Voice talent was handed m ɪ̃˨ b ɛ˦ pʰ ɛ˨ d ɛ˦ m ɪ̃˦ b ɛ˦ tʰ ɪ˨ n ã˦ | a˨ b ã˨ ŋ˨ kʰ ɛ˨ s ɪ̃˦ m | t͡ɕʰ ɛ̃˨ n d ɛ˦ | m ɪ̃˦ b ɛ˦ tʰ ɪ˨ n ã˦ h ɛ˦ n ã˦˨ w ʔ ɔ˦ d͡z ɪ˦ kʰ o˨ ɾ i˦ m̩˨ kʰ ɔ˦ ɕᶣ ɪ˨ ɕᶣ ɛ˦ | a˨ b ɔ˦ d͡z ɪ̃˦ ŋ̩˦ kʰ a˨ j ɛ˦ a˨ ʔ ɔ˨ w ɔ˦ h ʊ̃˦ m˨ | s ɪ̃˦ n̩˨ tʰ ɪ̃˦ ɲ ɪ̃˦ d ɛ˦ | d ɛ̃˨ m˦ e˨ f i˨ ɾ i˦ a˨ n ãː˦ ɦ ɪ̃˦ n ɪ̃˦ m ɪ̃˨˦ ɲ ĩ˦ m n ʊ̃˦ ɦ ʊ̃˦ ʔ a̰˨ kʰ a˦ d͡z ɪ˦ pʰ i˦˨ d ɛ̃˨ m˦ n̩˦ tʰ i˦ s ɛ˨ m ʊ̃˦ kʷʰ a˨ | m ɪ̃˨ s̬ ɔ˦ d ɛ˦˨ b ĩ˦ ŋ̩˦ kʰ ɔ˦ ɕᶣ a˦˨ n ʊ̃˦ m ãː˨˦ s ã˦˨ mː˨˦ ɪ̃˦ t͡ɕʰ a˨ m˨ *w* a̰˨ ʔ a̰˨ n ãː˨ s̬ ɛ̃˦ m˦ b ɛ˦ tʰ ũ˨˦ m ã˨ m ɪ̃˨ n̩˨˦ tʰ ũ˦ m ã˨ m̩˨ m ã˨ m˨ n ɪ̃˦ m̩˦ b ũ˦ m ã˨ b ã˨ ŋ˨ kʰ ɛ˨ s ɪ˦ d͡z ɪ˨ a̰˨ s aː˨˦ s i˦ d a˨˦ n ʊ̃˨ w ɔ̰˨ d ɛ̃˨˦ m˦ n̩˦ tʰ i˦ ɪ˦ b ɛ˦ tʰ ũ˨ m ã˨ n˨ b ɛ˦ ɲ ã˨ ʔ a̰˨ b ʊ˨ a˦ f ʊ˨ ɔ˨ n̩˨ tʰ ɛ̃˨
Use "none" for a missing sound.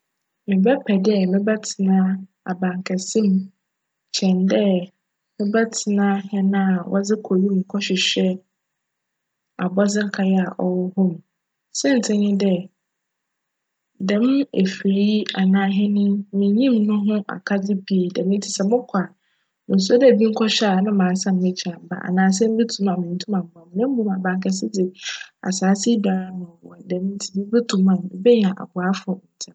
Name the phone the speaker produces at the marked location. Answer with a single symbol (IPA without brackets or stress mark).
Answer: b